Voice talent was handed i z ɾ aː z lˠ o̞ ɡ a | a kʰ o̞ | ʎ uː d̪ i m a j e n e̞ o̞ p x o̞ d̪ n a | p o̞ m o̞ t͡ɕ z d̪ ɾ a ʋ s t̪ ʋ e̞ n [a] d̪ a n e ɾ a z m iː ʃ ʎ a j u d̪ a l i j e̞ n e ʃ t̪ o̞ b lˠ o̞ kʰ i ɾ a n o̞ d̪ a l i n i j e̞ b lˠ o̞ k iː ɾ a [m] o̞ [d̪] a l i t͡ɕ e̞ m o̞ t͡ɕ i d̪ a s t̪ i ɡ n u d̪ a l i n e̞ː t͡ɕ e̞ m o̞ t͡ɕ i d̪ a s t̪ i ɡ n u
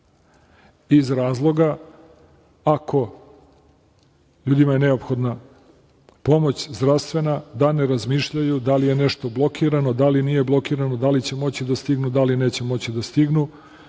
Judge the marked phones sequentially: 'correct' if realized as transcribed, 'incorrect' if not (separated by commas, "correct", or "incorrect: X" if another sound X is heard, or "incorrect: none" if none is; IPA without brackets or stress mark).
correct, incorrect: n, correct